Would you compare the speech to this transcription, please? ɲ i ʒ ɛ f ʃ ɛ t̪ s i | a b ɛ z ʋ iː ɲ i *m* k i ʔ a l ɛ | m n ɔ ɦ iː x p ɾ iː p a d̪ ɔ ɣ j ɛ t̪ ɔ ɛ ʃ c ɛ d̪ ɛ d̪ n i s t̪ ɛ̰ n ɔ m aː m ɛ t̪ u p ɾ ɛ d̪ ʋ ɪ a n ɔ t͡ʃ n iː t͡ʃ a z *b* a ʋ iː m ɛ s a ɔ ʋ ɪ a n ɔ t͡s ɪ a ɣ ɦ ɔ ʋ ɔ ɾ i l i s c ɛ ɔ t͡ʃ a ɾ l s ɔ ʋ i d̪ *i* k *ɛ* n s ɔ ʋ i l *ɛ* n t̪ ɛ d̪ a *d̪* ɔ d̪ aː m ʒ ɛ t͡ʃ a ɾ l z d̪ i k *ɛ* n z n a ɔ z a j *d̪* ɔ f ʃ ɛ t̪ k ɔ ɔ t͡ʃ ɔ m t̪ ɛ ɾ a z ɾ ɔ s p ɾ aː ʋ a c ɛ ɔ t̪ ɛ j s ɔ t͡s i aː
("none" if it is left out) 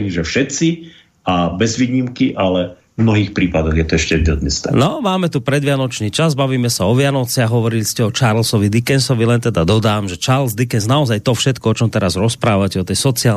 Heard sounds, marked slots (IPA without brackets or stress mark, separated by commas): m, b, i, ɛ, ɛ, d̪, ɛ, t̪